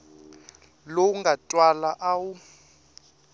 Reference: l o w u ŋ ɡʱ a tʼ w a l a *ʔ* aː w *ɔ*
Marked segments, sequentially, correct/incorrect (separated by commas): correct, incorrect